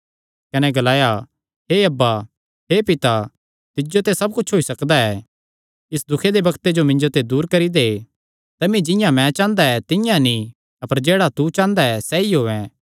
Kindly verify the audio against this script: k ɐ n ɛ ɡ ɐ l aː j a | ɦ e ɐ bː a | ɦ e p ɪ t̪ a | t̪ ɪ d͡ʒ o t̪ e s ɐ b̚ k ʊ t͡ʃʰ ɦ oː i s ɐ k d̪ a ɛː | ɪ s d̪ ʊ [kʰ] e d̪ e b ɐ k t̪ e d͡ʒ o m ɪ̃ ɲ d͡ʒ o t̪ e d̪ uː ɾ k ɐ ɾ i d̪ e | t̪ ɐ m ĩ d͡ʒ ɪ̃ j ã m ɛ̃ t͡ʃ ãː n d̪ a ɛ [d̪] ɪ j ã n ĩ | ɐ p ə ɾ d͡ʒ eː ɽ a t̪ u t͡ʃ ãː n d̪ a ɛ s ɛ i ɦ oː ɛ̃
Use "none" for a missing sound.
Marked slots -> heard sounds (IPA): kʰ, t̪

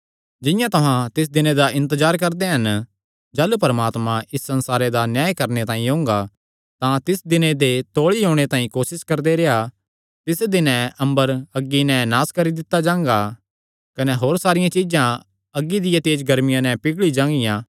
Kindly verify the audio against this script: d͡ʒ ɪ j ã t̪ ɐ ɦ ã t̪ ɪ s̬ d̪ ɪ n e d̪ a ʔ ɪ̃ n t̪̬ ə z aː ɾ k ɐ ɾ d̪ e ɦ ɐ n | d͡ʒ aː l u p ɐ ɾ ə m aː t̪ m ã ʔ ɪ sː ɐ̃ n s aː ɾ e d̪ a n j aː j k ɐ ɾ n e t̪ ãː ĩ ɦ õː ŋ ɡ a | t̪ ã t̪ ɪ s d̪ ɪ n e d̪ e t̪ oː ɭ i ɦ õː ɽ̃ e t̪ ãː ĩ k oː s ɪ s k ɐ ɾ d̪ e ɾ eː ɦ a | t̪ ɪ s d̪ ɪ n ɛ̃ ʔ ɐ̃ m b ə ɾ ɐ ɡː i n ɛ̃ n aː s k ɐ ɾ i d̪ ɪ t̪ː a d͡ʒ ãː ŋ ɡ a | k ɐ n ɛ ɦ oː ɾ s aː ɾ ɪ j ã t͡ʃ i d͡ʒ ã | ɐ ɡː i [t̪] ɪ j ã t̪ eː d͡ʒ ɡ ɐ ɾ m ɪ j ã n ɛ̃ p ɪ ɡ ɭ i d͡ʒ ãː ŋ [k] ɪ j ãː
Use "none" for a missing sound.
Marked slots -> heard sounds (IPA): d̪, ɡ

